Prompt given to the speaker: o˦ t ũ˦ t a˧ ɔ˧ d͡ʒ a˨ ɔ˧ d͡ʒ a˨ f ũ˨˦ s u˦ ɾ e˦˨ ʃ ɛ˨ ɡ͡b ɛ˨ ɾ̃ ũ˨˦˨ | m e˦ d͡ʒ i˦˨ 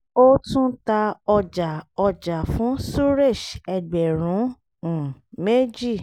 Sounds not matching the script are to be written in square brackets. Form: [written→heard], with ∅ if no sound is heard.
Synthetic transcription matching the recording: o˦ t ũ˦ t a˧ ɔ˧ d͡ʒ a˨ ɔ˧ d͡ʒ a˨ f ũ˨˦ s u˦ ɾ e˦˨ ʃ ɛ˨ ɡ͡b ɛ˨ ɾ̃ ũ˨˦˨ | m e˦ d͡ʒ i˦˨